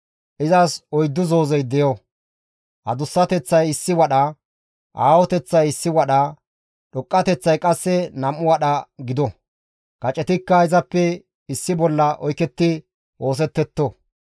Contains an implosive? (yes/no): yes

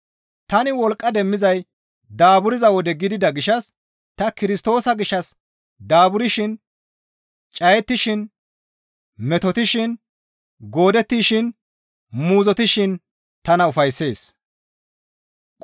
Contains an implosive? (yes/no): no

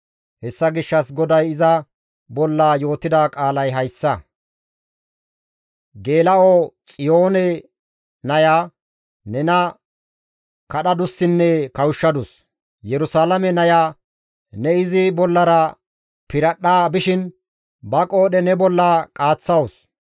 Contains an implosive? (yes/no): yes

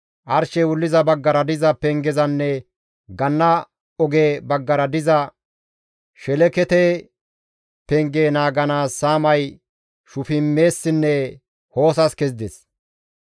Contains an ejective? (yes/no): no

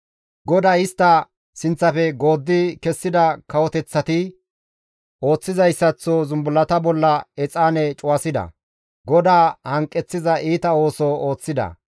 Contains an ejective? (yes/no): yes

